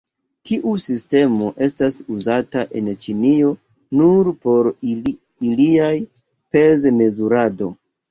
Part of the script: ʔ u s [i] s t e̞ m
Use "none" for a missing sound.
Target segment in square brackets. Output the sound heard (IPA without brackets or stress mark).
i